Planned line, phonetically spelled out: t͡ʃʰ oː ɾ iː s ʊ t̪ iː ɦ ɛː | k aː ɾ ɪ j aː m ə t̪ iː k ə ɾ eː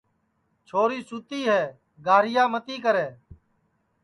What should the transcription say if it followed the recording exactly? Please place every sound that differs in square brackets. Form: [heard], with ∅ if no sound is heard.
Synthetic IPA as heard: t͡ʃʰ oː ɾ iː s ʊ t̪ iː ɦ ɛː | [ɡ] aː ɾ ɪ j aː m ə t̪ iː k ə ɾ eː

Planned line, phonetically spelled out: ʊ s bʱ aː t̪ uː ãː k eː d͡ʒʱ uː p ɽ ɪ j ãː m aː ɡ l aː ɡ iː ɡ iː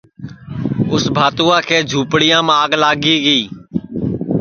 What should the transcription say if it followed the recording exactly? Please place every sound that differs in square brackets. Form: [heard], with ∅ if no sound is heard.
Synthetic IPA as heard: ʊ s bʱ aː t̪ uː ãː [kʰ] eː d͡ʒʱ uː p ɽ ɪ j ãː m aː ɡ l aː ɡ iː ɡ iː

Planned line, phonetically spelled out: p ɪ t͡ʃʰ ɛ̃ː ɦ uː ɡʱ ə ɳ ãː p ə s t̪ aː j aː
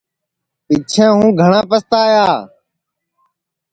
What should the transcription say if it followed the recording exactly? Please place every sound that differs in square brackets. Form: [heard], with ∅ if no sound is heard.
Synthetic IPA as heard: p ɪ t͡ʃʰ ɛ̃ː ɦ [ũː] ɡʱ ə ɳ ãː p ə s t̪ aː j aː

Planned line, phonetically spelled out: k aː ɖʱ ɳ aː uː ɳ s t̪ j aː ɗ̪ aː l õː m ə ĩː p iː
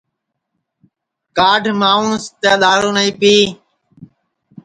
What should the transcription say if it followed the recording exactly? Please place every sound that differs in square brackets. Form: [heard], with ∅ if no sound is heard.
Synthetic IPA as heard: k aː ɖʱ [m] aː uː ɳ s t̪ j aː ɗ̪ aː [ɾ] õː [n] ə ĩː p iː

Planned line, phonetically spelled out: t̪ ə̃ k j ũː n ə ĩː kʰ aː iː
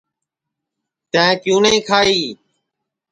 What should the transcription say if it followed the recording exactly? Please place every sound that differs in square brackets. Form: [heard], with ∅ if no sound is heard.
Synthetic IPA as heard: t̪ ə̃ k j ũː n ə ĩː kʰ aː iː

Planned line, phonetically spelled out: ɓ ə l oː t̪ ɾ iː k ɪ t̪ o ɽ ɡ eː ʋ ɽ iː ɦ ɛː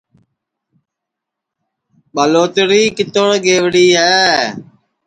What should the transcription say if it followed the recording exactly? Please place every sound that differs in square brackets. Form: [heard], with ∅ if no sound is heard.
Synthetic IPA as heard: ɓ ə l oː t̪ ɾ iː k ɪ t̪ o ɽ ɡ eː ʋ ɽ iː ɦ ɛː

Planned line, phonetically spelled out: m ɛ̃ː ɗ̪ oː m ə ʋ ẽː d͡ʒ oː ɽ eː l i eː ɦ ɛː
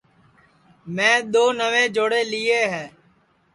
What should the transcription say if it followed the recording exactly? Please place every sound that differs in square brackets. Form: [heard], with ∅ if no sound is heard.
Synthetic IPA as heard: m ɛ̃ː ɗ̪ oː [n] ə ʋ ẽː d͡ʒ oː ɽ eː l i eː ɦ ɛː

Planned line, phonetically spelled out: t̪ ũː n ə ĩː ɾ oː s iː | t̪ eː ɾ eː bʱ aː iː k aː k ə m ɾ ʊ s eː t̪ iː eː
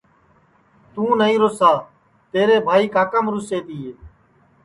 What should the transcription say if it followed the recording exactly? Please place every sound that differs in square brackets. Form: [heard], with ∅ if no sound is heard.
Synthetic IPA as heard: t̪ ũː n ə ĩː ɾ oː s [aː] | t̪ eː ɾ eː bʱ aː iː k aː k ə m ɾ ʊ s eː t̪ iː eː

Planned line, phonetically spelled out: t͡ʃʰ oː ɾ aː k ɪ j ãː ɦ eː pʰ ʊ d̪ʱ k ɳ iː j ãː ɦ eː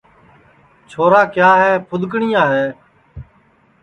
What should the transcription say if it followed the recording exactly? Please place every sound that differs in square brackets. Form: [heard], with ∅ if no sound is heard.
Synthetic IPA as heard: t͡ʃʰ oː ɾ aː k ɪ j [aː] ɦ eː pʰ ʊ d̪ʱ k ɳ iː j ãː ɦ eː

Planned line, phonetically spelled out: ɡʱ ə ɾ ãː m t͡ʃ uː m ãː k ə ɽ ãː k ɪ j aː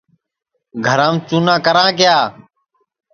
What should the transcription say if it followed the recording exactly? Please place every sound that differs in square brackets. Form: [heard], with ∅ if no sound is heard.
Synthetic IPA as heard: ɡʱ ə ɾ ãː m t͡ʃ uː [n] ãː k ə [ɾ] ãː k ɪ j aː

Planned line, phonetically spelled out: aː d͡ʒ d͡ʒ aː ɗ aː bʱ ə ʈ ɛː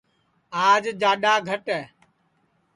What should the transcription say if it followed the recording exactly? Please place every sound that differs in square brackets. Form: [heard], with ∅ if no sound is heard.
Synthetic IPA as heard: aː d͡ʒ d͡ʒ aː ɗ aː [ɡʱ] ə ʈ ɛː

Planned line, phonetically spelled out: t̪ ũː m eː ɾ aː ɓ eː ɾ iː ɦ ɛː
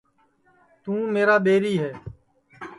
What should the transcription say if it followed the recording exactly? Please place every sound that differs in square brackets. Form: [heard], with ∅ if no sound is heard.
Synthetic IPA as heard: t̪ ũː m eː ɾ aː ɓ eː ɾ iː ɦ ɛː

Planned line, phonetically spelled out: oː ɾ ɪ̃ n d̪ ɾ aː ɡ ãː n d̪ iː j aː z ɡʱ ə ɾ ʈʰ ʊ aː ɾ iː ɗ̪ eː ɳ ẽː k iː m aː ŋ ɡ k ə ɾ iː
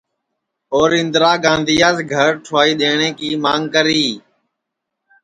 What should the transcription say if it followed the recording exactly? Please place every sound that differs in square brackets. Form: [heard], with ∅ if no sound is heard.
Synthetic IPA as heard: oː ɾ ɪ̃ n d̪ ɾ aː ɡ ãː n d̪ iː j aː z ɡʱ ə ɾ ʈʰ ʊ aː [∅] iː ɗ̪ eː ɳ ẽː k iː m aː ŋ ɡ k ə ɾ iː

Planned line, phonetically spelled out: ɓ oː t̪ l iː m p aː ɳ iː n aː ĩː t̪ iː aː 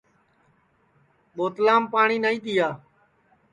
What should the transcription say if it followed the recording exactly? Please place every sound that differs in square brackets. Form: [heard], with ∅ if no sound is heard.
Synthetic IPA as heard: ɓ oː t̪ l [aː] m p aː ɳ iː n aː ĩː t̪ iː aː

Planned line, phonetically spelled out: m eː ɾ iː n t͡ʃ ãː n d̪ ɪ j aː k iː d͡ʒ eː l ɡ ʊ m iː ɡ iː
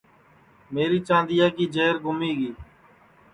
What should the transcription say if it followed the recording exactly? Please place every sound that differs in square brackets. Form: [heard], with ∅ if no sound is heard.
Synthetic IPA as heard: m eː ɾ iː [∅] t͡ʃ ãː n d̪ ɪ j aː k iː d͡ʒ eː [ɾ] ɡ ʊ m iː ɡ iː

